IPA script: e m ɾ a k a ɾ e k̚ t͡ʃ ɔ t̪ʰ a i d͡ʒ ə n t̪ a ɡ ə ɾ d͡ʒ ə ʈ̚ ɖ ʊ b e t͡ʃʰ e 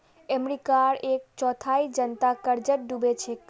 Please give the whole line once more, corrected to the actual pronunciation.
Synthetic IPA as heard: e m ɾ i k a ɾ e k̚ t͡ʃ ɔ t̪ʰ a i d͡ʒ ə n t̪ a k ə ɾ d͡ʒ ə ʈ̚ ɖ u b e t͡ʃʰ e